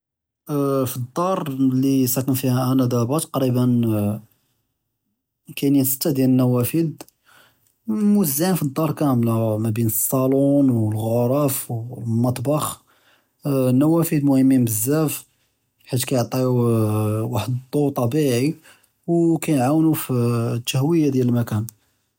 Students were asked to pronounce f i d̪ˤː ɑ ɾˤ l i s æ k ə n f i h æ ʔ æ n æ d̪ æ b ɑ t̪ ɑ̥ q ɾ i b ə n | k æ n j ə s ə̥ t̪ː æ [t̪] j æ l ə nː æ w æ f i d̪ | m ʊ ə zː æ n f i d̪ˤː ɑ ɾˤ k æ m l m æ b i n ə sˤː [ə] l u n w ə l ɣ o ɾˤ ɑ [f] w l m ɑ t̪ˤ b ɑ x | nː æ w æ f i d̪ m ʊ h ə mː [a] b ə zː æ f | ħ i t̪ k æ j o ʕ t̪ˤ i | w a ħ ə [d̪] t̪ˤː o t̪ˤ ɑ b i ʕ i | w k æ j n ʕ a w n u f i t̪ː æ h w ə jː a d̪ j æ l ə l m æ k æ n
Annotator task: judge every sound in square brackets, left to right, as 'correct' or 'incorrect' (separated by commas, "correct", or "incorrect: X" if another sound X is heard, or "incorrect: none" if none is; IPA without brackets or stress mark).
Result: incorrect: d̪, incorrect: ɑ, correct, incorrect: i, correct